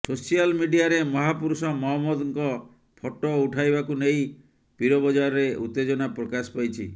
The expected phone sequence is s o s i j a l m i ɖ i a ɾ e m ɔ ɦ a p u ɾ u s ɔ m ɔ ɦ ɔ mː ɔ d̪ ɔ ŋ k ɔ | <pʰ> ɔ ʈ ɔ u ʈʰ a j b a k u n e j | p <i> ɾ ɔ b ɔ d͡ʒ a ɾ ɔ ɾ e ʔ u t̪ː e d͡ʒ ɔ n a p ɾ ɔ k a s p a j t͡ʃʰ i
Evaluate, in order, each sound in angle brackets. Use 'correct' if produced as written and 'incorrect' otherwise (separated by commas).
correct, correct